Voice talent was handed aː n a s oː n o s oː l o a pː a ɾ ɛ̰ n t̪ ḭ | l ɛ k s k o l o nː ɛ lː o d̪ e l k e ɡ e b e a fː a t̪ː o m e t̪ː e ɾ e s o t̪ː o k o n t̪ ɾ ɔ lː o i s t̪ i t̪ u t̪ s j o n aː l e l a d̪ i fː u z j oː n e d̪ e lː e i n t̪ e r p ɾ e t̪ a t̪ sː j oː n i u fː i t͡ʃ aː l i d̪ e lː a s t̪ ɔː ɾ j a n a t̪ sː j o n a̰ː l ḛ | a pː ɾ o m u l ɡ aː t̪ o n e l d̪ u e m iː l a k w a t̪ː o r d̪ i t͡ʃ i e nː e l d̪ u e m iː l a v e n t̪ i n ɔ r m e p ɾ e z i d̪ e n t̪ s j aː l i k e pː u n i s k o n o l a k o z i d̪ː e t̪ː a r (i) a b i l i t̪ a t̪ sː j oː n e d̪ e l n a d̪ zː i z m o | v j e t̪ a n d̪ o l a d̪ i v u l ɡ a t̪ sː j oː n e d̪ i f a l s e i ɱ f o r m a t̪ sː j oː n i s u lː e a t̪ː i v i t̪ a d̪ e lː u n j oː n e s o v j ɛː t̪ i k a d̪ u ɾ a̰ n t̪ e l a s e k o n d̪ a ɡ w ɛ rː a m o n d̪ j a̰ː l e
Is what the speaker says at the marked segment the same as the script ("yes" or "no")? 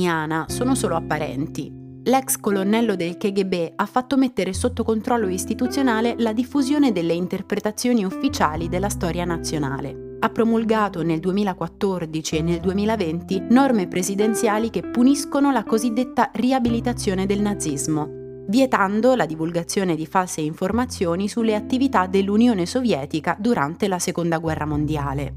yes